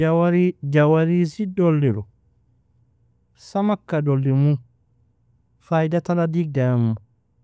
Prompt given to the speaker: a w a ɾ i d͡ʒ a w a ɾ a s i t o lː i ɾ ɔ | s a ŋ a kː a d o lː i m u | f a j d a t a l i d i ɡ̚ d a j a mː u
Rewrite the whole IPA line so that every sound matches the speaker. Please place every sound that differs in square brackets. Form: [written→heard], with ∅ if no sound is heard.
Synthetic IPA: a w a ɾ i d͡ʒ a w a ɾ [a→i] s i [t→d] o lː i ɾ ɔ | s a [ŋ→m] a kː a d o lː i m u | f a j d a t a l [i→a] d i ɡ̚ d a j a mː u